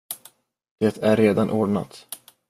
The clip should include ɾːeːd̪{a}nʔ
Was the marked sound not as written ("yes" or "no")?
no